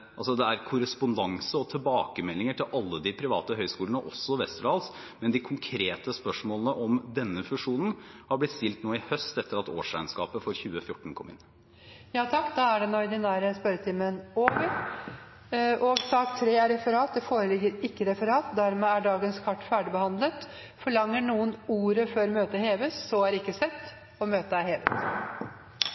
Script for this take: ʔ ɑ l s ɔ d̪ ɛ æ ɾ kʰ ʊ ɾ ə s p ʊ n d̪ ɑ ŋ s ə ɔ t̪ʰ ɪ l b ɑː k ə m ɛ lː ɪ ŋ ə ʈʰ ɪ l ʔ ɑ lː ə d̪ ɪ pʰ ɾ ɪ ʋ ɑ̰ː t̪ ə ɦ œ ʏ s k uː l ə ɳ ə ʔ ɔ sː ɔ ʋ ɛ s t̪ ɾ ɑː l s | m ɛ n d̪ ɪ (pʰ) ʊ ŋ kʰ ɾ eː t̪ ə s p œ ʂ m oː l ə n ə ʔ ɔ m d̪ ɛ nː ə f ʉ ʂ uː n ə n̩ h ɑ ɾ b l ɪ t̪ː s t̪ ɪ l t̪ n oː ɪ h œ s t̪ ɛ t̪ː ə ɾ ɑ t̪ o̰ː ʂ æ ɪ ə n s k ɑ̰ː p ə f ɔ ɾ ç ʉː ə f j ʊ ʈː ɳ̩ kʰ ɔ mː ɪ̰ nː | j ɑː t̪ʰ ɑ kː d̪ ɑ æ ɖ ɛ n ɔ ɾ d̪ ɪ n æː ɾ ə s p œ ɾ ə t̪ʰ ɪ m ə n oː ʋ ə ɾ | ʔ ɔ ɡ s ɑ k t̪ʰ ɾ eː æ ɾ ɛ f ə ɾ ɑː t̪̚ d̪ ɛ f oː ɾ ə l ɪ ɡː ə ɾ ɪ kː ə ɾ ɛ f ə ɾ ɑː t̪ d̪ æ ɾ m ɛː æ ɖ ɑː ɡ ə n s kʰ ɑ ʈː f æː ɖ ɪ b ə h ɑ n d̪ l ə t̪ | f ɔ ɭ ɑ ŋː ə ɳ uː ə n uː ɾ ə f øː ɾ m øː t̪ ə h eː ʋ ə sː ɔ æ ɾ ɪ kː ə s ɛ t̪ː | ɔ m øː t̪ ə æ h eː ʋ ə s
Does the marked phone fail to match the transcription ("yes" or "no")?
yes